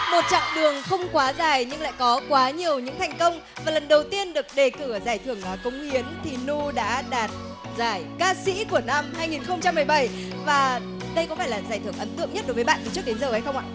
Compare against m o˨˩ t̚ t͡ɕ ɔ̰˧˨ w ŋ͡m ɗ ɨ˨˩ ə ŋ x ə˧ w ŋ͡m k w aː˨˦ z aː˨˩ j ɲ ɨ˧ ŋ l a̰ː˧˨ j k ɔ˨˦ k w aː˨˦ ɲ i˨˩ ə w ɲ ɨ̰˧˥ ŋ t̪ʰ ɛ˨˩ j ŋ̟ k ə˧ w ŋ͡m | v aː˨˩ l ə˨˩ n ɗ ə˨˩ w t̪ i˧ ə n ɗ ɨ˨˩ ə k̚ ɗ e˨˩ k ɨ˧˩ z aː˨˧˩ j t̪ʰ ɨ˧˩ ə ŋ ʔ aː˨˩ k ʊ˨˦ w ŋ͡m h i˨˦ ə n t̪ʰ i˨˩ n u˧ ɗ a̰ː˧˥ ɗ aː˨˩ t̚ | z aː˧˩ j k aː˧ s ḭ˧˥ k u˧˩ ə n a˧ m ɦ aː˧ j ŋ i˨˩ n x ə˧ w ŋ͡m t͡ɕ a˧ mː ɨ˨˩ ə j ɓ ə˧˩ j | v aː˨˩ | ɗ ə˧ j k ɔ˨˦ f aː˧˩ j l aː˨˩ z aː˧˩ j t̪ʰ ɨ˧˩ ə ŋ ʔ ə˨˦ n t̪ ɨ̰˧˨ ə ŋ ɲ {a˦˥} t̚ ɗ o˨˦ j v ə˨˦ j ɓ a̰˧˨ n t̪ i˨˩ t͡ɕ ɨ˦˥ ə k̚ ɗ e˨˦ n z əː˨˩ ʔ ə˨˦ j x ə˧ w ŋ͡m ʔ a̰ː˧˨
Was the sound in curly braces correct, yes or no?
no